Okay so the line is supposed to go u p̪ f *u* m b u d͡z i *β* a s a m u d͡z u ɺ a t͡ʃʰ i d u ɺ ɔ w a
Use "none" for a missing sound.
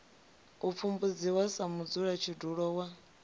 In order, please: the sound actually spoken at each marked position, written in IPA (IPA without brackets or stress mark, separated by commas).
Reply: u, w